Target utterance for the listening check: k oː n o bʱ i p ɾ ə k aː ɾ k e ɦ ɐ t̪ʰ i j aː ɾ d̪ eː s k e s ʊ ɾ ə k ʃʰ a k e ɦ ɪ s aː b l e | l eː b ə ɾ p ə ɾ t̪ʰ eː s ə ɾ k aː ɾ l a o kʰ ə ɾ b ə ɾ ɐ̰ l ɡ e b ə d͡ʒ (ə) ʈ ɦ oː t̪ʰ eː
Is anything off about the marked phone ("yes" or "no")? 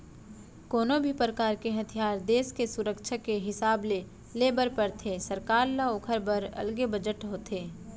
no